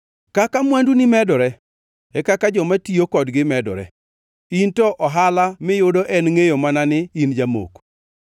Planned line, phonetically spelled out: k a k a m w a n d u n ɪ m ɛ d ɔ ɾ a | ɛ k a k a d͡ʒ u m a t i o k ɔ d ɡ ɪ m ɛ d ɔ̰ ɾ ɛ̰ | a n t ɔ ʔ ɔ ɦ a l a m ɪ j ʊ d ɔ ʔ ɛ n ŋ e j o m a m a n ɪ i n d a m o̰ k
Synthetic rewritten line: k a k a m w a n d u n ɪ m ɛ d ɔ ɾ ɛ | ɛ k a k a d͡ʒ ɔ m a t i o k ɔ d ɡ ɪ m ɛ d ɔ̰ ɾ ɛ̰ | i n t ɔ ʔ ɔ ɦ a l a m ɪ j ʊ d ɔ ʔ ɛ n ŋ e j o m a n a n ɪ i n d͡ʒ a m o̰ k